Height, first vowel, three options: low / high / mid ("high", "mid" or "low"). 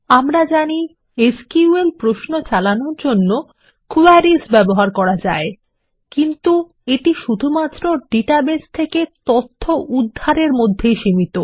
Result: low